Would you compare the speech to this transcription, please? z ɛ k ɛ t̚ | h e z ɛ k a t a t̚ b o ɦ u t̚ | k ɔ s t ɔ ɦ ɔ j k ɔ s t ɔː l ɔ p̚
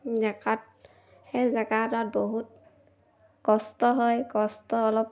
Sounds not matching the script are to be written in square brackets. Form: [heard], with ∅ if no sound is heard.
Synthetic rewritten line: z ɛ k [a] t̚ | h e z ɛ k a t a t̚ b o ɦ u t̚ | k ɔ s t ɔ ɦ ɔ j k ɔ s t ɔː l ɔ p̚

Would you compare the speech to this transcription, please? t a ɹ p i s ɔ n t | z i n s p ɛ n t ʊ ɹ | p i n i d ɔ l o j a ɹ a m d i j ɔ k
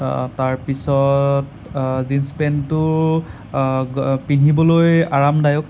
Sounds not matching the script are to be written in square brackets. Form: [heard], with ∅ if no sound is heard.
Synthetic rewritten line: t a ɹ p i s ɔ [∅] t | z i n s p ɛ n t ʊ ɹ | p i n i [b] ɔ l o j a ɹ a m d [a] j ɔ k

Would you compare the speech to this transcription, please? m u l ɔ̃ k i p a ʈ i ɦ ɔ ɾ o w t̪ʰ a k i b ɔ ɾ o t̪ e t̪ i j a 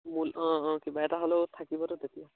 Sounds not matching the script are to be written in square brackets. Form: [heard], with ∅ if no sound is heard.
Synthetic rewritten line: m u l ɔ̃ k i [b] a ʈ [a] ɦ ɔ [l] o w t̪ʰ a k i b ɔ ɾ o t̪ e t̪ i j a

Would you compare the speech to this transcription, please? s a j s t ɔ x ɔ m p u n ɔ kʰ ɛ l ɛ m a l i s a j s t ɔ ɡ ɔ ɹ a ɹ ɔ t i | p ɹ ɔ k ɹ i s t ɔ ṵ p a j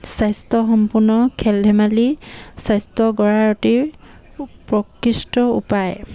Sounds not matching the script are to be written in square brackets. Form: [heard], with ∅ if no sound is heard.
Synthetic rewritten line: s a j s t ɔ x ɔ m p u n ɔ kʰ ɛ l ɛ m a l i s a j s t ɔ ɡ ɔ ɹ a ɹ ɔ t i | p ɹ ɔ k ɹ i s t ɔ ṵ p a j

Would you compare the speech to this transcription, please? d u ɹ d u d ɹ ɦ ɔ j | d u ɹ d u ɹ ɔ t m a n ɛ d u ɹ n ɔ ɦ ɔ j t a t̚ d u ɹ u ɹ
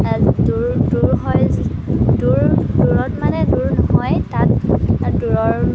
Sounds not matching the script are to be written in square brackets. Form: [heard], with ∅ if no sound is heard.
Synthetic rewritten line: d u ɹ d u [∅] ɹ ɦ ɔ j | d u ɹ d u ɹ ɔ t m a n ɛ d u ɹ n ɔ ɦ ɔ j t a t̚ d u ɹ [ɔ] ɹ

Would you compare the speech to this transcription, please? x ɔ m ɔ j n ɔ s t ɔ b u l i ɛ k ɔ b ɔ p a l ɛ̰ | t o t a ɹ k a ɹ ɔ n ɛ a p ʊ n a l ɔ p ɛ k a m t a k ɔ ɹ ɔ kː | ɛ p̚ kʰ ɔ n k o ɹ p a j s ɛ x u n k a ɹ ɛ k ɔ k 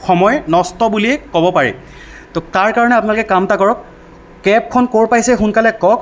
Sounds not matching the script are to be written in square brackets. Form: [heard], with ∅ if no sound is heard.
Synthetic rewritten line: x ɔ m ɔ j n ɔ s t ɔ b u l i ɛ k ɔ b ɔ p a [ɹ] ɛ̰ | t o t a ɹ k a ɹ ɔ n ɛ a p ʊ n a l ɔ [k] ɛ k a m t a k ɔ ɹ ɔ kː | ɛ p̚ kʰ ɔ n k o ɹ p a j s ɛ x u n k a [l] ɛ k ɔ k

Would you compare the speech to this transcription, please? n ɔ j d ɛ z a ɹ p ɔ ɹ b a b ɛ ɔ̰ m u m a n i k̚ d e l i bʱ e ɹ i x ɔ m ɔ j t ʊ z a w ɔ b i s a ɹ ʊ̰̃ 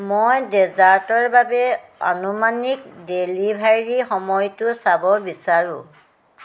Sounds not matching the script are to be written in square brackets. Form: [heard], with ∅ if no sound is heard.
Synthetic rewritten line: [m] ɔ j d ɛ z a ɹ [t] ɔ ɹ b a b ɛ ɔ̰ [n] u m a n i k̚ d e l i bʱ [a] ɹ i x ɔ m ɔ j t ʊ [s] a [b] ɔ b i s a ɹ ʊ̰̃

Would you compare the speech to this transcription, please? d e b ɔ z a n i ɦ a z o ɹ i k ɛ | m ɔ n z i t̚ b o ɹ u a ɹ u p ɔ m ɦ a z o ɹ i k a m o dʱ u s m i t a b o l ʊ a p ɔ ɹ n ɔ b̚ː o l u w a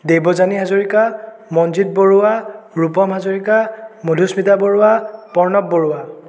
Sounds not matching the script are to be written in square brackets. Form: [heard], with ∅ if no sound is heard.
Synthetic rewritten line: d e b ɔ z a n i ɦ a z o ɹ i k [a] | m ɔ n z i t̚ b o ɹ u a ɹ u p ɔ m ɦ a z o ɹ i k a m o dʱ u s m i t a b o [ɹ] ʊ a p ɔ ɹ n ɔ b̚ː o [ɹ] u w a

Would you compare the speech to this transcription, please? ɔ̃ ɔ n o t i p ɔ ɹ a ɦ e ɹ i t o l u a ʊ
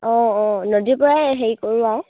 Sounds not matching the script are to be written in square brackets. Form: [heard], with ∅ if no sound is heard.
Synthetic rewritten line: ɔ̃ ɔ n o [d] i p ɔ ɹ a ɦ e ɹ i [k] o [ɹ] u a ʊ

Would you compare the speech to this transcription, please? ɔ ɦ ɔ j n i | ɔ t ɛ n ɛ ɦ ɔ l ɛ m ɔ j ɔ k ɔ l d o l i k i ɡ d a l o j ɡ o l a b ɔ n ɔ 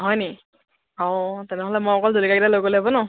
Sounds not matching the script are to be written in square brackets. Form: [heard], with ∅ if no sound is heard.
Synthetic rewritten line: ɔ ɦ ɔ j n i | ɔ t ɛ n ɛ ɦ ɔ l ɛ m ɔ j ɔ k ɔ l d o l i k [a] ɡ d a l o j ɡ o l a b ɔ n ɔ

